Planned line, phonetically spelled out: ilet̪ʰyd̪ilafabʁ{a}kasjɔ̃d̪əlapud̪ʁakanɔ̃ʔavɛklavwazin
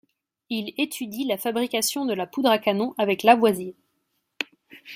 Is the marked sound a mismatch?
yes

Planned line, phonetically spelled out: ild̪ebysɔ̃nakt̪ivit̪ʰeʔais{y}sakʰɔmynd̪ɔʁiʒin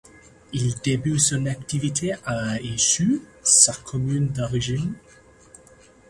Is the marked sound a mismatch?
no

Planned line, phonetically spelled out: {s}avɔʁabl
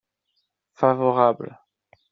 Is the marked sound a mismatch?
yes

